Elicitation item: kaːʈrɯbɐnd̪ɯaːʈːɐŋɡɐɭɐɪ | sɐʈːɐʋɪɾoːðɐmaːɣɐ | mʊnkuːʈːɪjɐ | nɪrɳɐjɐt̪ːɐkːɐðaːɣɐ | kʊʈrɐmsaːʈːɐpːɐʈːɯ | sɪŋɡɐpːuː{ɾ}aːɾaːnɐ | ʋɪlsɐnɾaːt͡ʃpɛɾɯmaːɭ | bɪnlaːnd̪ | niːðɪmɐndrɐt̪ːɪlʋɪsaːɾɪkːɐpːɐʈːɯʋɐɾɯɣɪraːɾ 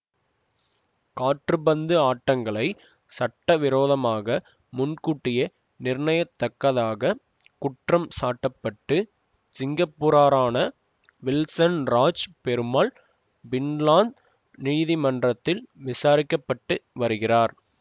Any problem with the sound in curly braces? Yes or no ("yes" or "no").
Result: no